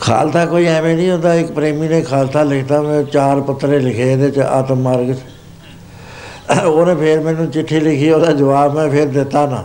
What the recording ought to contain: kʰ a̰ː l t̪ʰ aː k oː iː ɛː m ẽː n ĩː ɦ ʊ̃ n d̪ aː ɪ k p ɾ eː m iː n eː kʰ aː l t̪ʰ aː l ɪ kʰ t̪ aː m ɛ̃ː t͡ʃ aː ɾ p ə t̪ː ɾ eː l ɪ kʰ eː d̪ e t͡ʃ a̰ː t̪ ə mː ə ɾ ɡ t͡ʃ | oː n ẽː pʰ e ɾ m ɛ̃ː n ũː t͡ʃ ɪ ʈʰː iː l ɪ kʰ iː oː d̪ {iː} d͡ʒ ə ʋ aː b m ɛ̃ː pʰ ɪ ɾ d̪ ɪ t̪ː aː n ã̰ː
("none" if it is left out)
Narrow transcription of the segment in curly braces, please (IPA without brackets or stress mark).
aː